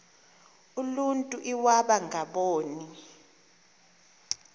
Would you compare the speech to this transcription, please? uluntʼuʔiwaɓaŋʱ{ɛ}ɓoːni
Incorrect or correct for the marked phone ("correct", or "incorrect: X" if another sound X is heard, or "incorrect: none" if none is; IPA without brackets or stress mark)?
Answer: incorrect: a